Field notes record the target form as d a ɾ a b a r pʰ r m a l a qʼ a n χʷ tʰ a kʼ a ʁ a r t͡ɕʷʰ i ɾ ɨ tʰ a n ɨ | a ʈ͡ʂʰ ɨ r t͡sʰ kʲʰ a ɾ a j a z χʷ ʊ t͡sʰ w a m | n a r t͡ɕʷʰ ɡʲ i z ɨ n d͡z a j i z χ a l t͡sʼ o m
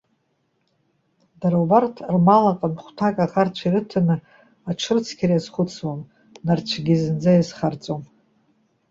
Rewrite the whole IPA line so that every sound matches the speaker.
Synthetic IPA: d a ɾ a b a r tʰ r m a l a qʼ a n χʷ tʰ a kʼ a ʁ a r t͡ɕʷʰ i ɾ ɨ tʰ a n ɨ | a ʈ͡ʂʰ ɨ r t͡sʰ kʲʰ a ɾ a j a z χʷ ʊ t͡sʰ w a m | n a r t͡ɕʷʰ ɡʲ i z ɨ n d͡z a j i z χ a r t͡sʼ o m